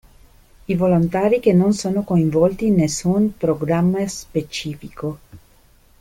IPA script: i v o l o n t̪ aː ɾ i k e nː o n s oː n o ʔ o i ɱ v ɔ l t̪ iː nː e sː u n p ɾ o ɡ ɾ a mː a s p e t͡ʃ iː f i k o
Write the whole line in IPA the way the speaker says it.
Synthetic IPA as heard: i v o l o n t̪ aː ɾ i k e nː o n s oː n o k o i ɱ v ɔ l t̪ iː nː e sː u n p ɾ o ɡ ɾ a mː a s p e t͡ʃ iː f i k o